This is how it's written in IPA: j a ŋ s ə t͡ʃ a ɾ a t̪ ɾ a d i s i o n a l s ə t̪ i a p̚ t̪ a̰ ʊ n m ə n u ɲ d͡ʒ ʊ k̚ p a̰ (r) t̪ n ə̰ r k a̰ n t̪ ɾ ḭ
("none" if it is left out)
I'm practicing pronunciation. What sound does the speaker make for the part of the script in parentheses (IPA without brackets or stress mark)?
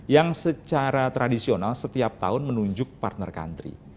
r